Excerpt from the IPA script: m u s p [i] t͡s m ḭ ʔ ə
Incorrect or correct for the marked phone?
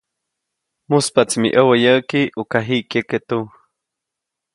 incorrect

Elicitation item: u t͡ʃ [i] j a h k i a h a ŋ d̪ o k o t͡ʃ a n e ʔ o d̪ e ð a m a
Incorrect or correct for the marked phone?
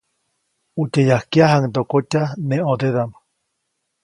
incorrect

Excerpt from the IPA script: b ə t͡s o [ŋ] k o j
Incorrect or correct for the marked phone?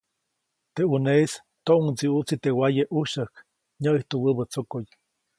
incorrect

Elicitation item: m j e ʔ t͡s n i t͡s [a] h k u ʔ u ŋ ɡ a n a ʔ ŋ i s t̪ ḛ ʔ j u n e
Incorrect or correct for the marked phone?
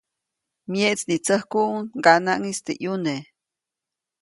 incorrect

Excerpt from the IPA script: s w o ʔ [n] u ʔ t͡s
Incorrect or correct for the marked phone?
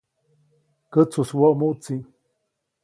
incorrect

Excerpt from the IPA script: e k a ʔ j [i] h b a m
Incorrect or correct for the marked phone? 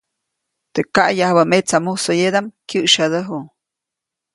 incorrect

